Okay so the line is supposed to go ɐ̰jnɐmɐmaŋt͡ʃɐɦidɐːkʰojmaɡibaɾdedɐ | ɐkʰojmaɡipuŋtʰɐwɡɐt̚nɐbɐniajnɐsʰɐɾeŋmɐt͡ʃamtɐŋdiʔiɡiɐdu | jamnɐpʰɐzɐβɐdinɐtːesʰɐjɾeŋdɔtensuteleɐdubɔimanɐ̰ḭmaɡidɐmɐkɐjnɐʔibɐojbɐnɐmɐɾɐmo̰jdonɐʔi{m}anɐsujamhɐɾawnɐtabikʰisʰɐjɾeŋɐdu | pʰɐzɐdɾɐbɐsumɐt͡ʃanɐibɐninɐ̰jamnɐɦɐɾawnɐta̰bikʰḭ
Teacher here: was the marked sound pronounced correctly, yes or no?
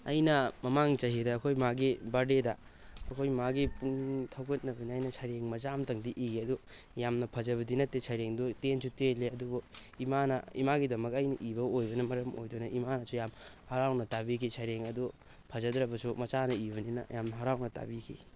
yes